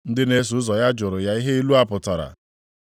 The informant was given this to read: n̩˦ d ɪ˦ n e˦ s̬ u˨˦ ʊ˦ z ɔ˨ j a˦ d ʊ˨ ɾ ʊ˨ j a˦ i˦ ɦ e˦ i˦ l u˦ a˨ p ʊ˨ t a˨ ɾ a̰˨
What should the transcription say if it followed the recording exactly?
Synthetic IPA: n̩˦ d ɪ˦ n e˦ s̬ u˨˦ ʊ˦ z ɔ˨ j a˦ d͡ʒ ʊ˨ ɾ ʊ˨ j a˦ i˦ ɦ e˦ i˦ l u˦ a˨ p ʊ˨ t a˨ ɾ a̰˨